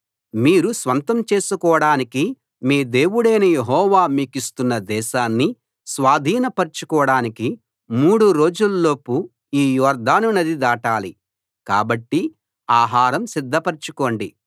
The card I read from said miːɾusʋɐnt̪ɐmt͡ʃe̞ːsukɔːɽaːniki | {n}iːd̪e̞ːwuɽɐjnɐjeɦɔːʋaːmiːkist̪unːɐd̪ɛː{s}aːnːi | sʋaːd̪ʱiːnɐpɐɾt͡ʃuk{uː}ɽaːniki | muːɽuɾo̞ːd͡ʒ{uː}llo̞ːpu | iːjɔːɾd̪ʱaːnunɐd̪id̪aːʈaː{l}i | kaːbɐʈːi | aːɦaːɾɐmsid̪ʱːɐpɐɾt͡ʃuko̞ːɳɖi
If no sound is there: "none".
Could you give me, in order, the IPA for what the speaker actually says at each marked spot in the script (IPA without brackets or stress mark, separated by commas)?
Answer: m, ʃ, ɔː, u, l